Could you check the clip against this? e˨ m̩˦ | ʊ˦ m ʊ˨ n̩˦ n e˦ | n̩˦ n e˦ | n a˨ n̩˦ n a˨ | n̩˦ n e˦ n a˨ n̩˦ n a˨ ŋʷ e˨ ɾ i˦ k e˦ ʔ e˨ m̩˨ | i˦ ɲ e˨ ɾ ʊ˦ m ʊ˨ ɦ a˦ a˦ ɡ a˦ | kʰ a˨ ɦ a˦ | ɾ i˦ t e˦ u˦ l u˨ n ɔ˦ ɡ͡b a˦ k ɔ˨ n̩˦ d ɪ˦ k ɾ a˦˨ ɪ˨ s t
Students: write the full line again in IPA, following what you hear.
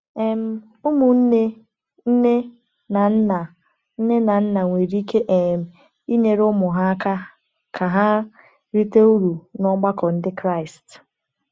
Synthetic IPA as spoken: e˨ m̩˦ | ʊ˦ m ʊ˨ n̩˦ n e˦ | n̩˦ n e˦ | n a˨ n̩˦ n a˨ | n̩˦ n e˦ n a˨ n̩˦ n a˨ ŋʷ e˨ ɾ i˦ k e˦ ʔ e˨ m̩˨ | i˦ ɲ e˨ ɾ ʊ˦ m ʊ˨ ɦ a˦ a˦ k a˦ | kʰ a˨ ɦ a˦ | ɾ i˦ t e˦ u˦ ɾ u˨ n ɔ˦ ɡ͡b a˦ k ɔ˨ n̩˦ d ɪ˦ k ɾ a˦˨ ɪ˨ s t